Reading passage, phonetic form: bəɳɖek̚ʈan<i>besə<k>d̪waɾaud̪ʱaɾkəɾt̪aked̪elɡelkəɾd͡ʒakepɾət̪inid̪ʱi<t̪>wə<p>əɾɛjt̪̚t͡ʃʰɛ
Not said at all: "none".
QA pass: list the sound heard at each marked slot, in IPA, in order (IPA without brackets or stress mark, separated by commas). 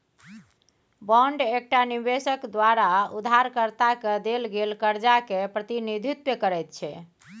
i, k, t̪, k